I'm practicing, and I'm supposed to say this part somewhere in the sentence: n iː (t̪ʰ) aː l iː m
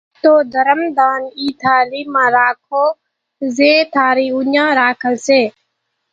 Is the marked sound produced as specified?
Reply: yes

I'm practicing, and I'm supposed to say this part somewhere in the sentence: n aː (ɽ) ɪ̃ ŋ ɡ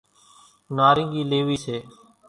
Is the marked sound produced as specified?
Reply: no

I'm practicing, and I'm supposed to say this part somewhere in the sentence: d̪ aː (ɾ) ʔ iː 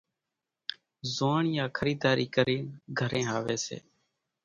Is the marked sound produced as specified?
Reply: yes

